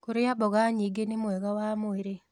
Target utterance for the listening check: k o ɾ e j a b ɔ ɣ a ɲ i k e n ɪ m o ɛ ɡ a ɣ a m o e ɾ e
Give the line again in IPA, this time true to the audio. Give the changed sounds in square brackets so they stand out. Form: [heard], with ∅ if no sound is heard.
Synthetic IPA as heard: k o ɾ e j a b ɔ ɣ a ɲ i [ɡ] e n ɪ m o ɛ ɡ a [w] a m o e ɾ e